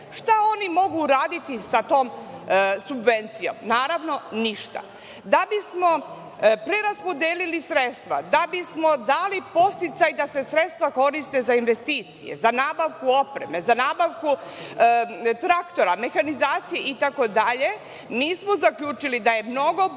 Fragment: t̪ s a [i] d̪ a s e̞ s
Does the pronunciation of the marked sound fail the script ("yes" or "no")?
yes